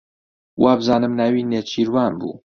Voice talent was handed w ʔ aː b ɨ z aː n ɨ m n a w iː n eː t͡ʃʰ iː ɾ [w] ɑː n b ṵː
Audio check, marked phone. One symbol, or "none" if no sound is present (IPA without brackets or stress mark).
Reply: w